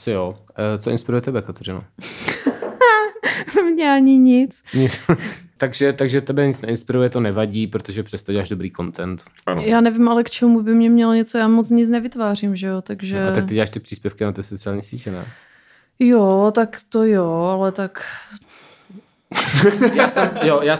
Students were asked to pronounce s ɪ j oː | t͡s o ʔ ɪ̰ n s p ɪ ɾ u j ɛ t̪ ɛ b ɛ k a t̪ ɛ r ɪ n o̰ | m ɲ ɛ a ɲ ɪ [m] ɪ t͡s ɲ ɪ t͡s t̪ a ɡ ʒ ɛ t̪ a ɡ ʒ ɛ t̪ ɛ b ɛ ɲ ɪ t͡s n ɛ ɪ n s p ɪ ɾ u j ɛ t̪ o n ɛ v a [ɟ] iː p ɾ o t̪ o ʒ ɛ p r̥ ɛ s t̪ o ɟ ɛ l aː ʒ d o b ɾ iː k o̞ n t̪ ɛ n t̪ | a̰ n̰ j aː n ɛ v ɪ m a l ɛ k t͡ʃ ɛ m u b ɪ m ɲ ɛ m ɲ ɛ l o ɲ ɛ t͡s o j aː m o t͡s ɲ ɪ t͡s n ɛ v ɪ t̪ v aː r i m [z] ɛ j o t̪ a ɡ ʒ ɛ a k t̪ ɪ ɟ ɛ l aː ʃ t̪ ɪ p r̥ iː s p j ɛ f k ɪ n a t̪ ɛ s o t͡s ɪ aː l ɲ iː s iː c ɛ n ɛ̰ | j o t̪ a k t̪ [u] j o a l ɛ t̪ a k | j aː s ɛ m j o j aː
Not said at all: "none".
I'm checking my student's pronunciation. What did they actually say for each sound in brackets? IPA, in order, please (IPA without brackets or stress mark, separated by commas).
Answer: ɲ, ɟ, ʒ, o